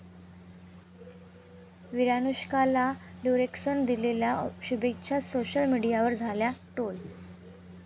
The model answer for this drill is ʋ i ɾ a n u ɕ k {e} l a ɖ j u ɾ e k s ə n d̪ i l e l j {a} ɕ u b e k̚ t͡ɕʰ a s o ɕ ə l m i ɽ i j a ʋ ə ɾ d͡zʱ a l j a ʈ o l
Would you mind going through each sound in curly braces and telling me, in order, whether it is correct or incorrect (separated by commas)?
incorrect, correct